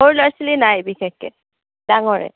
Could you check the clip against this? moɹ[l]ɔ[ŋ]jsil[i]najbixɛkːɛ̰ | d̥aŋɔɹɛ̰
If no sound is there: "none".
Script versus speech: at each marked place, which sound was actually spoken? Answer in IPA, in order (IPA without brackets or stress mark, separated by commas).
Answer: l, none, i